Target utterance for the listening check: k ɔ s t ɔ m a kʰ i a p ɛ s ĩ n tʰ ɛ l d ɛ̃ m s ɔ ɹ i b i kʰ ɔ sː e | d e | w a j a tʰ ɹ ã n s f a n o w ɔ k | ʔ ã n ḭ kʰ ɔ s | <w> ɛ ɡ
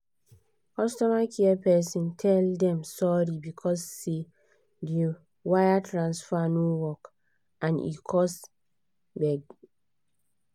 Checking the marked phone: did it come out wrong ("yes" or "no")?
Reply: yes